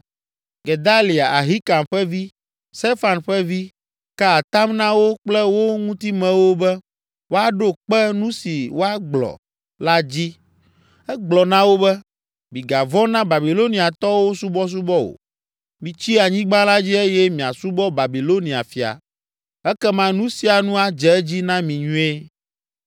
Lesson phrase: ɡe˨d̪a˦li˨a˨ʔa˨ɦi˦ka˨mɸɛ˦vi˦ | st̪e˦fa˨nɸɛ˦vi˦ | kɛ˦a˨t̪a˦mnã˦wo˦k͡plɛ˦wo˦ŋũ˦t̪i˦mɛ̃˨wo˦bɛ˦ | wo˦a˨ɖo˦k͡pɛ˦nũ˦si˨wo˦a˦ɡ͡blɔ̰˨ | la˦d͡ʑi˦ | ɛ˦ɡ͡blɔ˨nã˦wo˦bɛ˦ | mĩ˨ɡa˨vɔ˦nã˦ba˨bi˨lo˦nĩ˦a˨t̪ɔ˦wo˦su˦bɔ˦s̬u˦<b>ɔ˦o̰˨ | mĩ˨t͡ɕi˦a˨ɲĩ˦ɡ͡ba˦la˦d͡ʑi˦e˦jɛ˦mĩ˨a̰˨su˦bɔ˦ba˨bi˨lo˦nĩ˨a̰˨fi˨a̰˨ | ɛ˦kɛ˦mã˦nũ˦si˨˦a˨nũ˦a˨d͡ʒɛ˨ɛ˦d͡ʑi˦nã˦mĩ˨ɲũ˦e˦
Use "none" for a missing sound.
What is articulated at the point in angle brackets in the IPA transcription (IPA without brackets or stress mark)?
b